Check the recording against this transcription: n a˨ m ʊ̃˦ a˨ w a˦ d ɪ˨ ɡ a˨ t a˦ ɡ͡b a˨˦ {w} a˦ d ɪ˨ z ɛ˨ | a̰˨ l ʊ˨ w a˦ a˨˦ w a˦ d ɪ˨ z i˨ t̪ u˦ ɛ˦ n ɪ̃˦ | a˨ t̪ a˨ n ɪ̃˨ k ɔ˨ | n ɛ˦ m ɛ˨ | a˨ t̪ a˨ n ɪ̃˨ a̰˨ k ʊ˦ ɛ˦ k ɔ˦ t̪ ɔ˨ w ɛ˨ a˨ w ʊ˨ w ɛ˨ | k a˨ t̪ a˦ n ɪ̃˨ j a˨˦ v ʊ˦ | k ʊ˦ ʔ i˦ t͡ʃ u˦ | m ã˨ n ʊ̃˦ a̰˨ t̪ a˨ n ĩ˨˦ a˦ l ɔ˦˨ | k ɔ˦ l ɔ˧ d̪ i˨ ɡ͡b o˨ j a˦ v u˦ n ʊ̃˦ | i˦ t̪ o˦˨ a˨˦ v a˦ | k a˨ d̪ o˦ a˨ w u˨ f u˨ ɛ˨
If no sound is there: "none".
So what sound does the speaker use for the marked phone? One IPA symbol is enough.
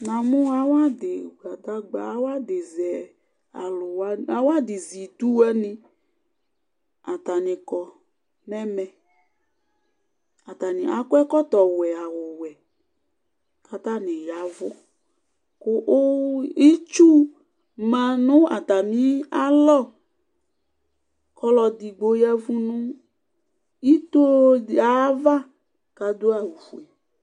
w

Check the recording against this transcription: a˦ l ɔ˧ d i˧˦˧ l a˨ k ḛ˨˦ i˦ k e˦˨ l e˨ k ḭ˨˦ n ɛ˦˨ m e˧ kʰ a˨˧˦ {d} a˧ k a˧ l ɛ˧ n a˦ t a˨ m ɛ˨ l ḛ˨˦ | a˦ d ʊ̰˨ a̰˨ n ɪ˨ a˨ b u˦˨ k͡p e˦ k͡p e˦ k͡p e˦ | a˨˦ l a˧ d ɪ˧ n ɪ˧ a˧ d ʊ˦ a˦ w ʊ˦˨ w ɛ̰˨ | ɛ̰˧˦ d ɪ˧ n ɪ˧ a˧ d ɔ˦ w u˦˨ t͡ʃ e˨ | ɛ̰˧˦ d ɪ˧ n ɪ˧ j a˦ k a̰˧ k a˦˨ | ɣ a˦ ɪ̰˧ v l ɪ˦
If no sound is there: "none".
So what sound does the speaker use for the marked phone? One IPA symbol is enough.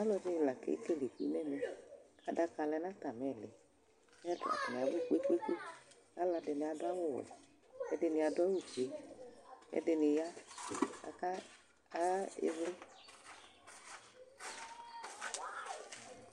d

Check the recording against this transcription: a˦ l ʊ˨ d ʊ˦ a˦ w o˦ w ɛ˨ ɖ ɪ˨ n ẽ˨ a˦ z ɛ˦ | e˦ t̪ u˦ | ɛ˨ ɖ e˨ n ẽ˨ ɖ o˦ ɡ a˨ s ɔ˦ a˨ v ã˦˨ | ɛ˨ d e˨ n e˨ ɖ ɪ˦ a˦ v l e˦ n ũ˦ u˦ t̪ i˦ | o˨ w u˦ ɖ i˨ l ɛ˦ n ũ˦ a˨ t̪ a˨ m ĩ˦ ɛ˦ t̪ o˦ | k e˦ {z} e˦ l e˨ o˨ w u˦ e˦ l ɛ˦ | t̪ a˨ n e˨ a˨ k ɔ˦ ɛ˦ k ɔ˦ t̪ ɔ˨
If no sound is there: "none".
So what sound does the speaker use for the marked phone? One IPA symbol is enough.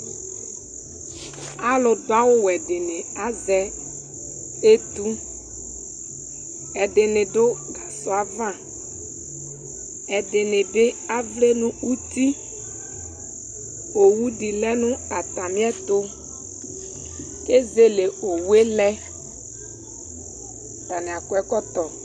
z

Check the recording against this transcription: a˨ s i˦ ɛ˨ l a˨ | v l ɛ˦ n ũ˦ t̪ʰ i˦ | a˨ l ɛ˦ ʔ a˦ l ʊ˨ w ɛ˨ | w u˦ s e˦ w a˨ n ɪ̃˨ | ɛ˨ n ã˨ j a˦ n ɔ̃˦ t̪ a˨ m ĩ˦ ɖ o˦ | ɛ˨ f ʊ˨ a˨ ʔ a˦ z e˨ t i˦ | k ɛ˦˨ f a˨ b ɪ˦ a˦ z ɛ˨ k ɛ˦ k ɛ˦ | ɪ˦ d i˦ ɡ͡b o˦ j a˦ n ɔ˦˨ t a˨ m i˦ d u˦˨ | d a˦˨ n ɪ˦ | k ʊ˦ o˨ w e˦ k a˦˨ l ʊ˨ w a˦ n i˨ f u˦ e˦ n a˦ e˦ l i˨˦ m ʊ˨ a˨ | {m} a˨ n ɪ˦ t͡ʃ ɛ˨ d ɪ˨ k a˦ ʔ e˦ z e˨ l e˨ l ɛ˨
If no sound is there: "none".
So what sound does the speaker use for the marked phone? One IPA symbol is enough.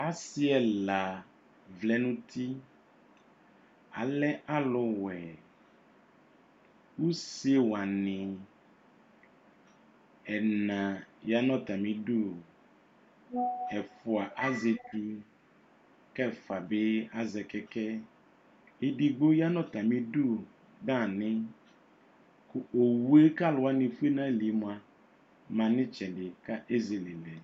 m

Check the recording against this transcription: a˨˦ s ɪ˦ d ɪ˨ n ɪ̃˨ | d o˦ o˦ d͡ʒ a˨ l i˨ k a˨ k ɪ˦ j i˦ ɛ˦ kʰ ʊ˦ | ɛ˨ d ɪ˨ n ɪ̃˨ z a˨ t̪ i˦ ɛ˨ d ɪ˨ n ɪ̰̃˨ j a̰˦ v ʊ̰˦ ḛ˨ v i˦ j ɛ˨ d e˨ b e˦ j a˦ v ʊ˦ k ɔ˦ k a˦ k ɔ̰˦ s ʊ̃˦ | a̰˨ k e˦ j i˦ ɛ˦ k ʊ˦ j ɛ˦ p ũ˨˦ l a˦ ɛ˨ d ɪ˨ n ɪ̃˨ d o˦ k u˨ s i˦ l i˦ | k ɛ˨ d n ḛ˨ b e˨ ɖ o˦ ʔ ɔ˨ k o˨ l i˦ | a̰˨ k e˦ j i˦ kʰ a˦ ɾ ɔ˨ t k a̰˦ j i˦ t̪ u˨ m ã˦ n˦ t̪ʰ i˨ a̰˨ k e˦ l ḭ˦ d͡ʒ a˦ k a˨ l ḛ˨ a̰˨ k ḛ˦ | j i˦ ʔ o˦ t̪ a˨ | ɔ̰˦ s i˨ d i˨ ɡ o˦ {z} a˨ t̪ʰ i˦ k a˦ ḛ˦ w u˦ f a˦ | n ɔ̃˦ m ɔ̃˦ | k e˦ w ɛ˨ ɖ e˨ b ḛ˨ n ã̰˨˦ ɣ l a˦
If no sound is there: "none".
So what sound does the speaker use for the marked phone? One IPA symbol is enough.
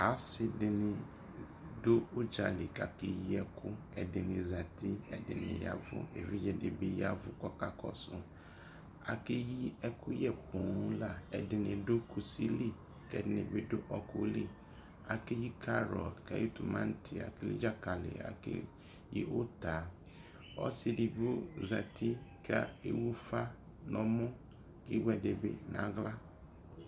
z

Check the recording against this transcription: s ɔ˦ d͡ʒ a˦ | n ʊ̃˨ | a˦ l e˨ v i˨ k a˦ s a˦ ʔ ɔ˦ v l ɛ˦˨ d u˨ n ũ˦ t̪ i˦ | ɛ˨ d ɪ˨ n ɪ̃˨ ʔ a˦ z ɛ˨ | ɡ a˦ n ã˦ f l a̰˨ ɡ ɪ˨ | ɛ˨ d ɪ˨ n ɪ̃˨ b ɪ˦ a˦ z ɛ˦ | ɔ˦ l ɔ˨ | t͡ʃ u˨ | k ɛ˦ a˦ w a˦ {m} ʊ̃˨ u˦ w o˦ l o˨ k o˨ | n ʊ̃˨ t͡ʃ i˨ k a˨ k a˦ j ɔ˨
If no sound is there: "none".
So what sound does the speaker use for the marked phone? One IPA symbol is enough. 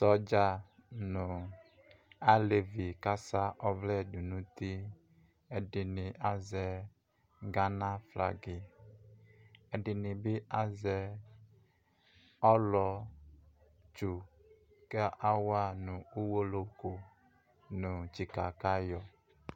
n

